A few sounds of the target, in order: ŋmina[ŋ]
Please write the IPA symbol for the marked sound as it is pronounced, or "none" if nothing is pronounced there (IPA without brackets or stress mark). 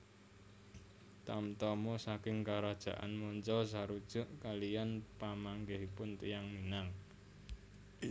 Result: ŋ